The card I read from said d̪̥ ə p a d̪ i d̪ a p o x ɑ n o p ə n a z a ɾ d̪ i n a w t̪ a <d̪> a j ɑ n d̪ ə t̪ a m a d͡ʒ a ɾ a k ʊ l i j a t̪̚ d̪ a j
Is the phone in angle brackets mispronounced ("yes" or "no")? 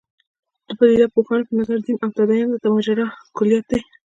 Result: no